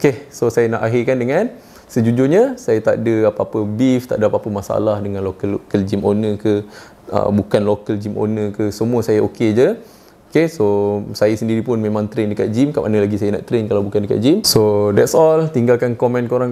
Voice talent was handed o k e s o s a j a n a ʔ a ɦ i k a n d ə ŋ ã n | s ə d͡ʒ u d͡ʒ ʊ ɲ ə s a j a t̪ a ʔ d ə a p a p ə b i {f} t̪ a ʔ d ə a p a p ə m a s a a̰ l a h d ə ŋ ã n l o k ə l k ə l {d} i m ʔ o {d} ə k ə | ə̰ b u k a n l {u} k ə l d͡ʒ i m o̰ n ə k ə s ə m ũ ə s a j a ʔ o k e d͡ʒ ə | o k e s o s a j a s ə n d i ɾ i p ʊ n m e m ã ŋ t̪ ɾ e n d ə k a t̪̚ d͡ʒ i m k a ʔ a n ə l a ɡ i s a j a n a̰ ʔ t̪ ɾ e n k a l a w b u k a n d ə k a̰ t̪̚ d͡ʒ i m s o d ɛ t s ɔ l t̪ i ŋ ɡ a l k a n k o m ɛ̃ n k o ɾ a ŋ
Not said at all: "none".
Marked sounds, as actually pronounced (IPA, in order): f, d͡ʒ, n, o

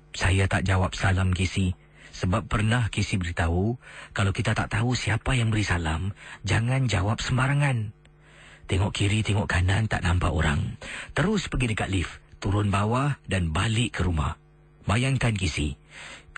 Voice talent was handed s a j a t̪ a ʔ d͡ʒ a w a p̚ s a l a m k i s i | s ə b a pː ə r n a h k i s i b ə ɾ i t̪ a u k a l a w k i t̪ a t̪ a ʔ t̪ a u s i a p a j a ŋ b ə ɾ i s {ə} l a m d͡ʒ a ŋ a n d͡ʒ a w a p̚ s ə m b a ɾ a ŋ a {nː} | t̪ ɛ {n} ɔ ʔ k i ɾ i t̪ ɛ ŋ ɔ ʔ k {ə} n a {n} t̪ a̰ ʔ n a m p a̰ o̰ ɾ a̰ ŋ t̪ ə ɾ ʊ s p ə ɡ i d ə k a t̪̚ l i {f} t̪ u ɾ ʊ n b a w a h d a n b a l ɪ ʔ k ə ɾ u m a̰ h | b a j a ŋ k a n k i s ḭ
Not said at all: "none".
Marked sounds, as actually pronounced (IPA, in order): a, n, ŋ, a, n, f

